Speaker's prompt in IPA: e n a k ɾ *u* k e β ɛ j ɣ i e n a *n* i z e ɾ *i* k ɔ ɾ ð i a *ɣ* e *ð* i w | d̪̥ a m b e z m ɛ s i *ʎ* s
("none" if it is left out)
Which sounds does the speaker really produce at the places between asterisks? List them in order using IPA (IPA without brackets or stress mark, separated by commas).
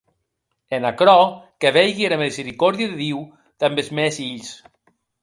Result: ɔ, m, i, ð, ð, ʎ